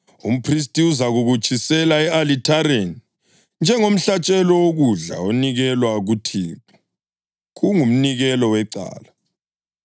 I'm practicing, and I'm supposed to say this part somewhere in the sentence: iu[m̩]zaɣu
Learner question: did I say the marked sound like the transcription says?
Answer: no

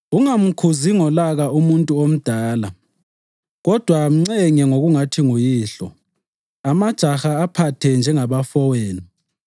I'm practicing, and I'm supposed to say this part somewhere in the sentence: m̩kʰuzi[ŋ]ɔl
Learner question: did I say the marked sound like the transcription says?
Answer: yes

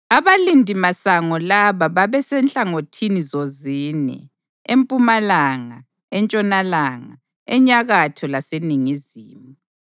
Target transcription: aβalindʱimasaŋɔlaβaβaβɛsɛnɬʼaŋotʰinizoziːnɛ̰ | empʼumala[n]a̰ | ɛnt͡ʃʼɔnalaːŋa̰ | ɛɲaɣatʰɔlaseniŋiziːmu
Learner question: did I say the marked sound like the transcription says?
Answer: no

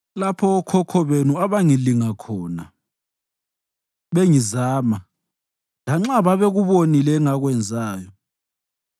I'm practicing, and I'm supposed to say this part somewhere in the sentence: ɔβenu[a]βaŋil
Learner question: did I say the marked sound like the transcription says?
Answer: yes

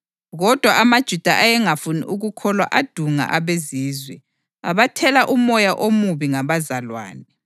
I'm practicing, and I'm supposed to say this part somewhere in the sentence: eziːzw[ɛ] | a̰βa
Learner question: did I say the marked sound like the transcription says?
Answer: yes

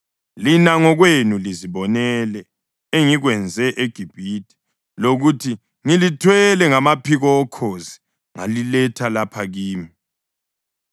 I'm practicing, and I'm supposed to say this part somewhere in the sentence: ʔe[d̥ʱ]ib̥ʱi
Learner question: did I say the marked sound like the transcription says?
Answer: no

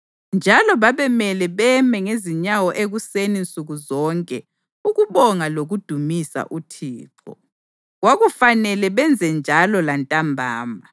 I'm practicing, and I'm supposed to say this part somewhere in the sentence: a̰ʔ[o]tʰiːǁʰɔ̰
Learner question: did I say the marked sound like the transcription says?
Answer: no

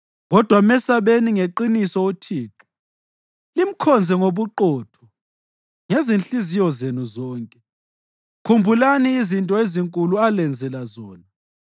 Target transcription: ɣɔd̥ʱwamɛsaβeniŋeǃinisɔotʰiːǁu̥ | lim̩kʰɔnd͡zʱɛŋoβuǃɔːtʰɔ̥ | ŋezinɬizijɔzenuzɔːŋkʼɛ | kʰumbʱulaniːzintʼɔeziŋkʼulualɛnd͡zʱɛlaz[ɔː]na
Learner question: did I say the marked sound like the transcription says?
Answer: yes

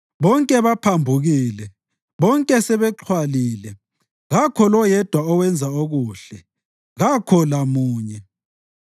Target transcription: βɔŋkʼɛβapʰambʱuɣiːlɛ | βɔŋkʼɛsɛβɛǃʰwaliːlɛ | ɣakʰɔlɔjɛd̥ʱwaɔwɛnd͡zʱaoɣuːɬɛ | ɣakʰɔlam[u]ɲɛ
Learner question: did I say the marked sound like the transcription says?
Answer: no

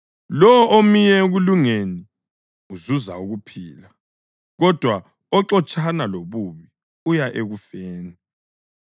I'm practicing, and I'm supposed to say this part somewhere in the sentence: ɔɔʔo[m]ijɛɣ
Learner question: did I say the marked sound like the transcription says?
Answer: yes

